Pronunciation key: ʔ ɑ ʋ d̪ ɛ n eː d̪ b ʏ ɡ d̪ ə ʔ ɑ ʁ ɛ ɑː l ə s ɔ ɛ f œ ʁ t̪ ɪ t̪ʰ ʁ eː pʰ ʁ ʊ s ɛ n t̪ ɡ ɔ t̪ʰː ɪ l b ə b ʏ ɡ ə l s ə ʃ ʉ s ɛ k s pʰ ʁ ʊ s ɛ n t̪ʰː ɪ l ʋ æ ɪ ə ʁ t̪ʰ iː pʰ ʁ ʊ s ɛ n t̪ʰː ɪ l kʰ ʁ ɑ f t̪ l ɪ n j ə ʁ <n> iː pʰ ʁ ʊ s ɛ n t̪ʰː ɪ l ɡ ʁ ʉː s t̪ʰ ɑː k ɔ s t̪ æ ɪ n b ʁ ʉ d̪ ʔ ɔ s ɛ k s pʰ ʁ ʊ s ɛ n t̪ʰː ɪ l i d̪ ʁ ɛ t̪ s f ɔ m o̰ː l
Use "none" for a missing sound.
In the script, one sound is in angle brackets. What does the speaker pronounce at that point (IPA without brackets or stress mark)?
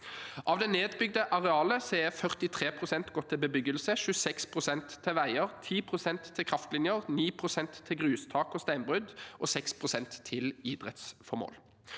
n